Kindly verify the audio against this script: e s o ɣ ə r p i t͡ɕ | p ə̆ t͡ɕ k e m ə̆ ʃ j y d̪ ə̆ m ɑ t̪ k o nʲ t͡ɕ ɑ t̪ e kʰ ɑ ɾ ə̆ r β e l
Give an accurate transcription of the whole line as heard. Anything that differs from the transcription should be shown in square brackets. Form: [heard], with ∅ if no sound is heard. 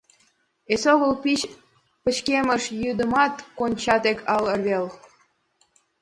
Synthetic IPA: e s o ɣ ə [l] p i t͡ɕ | p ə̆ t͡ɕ k e m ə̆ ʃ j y d̪ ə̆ m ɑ t̪ k o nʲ t͡ɕ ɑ t̪ e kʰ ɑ [l] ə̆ r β e l